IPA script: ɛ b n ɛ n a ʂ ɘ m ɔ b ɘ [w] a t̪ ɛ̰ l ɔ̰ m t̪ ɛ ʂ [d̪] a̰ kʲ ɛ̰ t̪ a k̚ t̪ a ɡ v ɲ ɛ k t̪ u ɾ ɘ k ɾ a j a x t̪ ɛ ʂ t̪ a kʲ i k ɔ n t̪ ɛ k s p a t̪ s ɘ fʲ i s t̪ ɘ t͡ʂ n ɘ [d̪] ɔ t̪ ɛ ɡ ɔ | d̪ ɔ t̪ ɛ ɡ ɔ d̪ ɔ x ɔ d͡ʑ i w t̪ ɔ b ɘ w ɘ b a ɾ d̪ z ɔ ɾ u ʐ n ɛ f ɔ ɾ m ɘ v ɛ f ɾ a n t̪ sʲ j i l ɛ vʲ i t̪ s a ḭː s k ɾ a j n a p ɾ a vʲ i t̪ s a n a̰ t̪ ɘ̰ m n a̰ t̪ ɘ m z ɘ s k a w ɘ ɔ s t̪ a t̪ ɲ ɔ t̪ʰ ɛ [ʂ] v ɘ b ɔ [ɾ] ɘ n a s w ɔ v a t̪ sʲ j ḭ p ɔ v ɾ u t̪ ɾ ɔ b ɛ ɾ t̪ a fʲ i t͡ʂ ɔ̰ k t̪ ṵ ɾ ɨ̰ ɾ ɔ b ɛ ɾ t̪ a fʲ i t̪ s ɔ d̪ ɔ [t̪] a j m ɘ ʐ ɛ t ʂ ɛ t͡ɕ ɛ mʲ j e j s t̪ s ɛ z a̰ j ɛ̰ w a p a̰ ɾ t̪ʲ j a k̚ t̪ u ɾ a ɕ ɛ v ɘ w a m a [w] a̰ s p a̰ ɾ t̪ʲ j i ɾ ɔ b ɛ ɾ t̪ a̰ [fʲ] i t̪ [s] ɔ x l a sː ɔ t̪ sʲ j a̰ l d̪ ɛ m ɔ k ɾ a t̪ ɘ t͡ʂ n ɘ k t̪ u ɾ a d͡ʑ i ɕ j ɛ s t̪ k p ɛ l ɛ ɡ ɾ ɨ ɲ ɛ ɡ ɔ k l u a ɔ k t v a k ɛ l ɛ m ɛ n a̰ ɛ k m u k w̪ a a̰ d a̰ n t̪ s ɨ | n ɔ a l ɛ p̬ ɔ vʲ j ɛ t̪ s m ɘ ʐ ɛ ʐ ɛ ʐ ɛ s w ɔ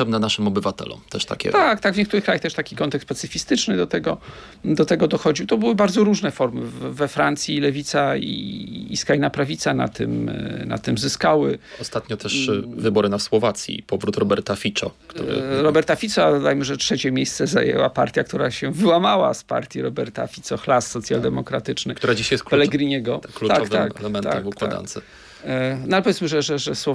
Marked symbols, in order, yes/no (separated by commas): no, no, yes, yes, yes, no, yes, yes, yes